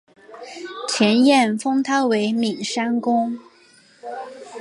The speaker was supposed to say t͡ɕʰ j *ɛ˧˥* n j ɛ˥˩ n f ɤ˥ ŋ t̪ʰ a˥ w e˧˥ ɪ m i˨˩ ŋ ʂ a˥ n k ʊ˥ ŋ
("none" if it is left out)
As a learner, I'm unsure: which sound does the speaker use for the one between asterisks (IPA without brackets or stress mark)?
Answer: ɛ˧˥